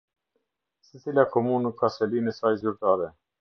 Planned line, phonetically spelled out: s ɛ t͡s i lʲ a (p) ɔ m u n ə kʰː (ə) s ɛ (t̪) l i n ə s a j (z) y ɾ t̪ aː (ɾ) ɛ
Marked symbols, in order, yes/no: no, no, no, yes, yes

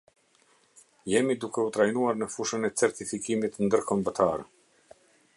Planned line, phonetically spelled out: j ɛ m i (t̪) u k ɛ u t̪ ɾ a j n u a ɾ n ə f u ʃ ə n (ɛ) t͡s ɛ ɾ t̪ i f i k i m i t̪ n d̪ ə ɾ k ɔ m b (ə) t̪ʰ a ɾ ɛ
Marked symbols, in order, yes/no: no, yes, yes

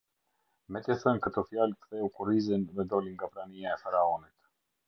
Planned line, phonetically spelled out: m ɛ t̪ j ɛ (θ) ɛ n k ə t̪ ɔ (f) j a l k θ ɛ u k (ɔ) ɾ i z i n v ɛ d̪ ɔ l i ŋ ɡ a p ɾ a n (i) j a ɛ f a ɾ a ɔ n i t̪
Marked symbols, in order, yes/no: yes, yes, no, yes

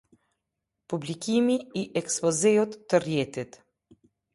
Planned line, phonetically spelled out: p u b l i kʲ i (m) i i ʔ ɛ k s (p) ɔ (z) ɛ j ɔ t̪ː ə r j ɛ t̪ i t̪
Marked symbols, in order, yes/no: yes, yes, yes

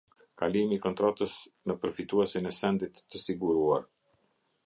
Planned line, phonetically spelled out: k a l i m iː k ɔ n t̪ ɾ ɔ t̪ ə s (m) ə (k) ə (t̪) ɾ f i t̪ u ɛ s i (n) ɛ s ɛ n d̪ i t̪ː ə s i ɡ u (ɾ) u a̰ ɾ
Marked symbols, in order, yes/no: no, no, no, yes, yes

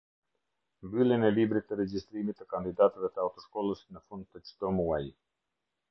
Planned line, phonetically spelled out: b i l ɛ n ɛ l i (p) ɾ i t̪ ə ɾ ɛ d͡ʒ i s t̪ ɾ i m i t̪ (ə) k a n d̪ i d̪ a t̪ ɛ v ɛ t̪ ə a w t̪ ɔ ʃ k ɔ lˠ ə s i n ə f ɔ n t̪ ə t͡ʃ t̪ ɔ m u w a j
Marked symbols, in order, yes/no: no, yes

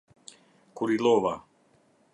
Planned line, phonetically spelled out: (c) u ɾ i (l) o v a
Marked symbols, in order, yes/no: no, yes

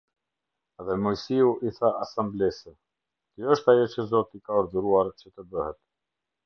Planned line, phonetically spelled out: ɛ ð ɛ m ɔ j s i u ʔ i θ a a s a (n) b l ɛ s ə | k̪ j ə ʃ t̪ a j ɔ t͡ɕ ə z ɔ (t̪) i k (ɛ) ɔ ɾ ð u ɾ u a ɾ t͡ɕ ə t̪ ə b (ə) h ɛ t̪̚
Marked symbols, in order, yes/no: no, yes, no, yes

